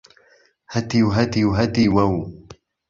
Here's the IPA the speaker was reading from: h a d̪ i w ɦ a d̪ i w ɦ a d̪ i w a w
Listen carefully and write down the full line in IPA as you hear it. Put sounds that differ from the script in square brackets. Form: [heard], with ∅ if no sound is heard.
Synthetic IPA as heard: h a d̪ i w ɦ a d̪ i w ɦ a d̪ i w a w